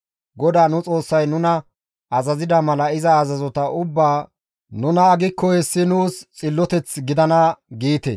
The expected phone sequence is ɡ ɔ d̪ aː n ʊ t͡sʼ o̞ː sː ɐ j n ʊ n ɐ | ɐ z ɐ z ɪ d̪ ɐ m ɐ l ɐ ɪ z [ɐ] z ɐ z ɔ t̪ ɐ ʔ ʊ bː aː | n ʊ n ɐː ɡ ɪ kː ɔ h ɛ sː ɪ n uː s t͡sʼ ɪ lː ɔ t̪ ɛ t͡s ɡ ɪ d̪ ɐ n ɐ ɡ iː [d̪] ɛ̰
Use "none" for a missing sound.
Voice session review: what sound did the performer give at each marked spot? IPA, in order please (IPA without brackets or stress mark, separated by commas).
ɐː, t̪